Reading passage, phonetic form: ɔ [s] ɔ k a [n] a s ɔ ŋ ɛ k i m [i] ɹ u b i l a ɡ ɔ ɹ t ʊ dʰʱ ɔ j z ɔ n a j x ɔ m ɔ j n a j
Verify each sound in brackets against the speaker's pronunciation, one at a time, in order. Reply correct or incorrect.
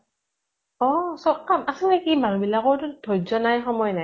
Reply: correct, incorrect, incorrect

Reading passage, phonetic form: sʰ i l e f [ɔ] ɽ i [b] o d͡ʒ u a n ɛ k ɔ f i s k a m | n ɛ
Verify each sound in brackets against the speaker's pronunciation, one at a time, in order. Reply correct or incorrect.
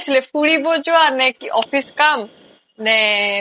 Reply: incorrect, correct

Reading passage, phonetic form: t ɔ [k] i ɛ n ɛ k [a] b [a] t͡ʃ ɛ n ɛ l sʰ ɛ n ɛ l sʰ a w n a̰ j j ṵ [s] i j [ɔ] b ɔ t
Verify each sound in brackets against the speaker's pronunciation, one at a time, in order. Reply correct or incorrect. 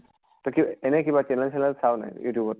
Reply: correct, incorrect, correct, incorrect, incorrect

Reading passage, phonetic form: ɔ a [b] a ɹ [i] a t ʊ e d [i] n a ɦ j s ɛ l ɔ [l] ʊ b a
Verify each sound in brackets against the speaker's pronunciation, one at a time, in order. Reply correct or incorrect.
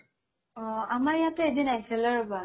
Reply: incorrect, incorrect, correct, incorrect

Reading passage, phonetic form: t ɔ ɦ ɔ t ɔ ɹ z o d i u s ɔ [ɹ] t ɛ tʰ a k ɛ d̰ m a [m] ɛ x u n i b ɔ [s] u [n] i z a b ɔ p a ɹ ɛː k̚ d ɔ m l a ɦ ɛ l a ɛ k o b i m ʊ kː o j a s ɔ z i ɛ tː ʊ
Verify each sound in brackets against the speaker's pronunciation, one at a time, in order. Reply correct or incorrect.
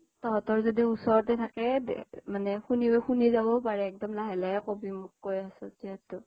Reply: correct, incorrect, incorrect, correct

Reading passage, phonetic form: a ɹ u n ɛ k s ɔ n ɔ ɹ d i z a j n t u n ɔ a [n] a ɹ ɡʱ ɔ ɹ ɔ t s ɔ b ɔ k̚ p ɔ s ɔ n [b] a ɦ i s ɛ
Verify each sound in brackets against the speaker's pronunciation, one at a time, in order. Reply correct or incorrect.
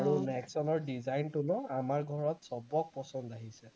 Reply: incorrect, incorrect

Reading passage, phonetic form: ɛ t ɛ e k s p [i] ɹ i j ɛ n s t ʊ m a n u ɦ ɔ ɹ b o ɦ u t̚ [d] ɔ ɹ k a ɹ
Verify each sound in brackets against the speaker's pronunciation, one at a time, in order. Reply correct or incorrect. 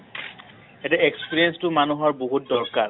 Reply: correct, correct

